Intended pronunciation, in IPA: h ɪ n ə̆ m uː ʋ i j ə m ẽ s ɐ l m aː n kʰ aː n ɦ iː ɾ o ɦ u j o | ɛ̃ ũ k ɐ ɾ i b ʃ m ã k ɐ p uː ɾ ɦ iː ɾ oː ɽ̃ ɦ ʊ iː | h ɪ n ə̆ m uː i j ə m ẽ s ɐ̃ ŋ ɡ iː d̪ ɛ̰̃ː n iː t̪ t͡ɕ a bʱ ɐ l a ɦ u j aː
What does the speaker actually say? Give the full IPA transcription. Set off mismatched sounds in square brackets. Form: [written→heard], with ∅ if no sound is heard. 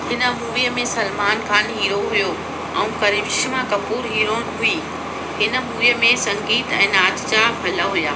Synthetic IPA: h ɪ n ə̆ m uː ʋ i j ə m ẽ s ɐ l m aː n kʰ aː n ɦ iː ɾ o ɦ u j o | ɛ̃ ũ k ɐ ɾ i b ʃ m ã k ɐ p uː ɾ ɦ iː ɾ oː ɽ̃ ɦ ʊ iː | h ɪ n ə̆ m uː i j ə m ẽ s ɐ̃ ŋ ɡ iː [d̪→t̪] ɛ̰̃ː n [iː→aː] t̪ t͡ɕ a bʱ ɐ l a ɦ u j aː